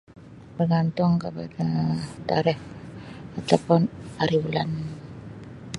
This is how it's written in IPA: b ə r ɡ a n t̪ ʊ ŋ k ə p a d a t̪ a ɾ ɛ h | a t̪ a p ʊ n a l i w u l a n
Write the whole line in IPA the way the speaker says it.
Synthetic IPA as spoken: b ə r ɡ a n t̪ ʊ ŋ k ə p a d a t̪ a ɾ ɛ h | a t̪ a p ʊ n a ɾ i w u l a n